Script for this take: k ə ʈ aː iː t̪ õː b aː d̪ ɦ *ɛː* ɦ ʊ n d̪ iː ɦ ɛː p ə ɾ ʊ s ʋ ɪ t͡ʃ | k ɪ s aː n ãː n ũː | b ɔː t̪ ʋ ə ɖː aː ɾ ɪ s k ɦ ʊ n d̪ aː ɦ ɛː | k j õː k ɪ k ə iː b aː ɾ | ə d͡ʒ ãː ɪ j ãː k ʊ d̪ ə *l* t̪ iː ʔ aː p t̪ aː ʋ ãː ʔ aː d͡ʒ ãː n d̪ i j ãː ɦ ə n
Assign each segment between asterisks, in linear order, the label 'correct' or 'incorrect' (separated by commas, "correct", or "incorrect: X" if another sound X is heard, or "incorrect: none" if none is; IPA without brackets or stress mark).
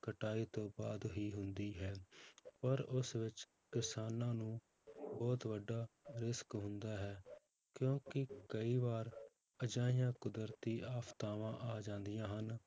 incorrect: iː, incorrect: ɾ